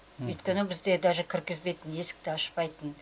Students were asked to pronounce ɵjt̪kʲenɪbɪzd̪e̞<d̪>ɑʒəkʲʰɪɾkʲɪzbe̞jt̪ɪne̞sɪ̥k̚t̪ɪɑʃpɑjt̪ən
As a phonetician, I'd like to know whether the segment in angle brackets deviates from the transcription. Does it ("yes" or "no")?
no